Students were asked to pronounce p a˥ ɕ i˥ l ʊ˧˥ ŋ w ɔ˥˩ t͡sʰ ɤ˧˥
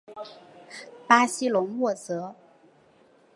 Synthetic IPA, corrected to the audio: p a˥ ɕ i˥ l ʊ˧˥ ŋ w ɔ˥˩ t͡s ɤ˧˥